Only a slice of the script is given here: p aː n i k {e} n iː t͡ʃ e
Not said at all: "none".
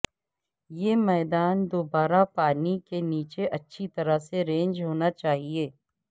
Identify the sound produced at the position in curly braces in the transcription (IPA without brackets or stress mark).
e